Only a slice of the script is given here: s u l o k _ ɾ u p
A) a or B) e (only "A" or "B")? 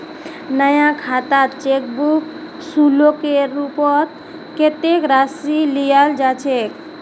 B